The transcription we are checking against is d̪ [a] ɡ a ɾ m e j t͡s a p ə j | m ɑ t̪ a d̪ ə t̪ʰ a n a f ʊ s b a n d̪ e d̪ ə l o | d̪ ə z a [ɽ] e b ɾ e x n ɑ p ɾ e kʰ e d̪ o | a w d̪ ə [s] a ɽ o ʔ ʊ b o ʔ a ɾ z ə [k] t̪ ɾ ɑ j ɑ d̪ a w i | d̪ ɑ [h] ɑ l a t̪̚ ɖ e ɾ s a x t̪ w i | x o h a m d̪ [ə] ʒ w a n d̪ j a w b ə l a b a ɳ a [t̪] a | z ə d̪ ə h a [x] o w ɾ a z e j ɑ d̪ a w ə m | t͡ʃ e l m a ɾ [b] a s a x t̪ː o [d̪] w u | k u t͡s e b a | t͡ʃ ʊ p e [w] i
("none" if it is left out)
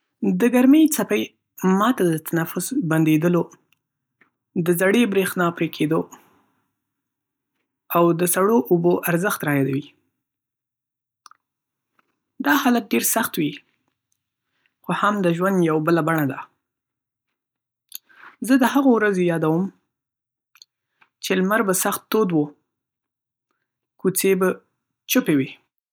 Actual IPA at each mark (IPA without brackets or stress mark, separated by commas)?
ə, ɽ, s, x, h, ə, d̪, ɣ, b, d̪, w